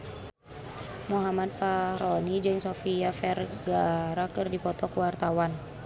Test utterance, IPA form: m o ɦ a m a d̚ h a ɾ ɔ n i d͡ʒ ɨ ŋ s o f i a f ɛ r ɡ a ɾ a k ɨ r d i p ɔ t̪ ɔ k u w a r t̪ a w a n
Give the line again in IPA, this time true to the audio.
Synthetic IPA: m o ɦ a m a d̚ f a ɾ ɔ n i d͡ʒ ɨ ŋ s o f i a f ɛ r ɡ a ɾ a k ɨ r d i p ɔ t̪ ɔ k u w a r t̪ a w a n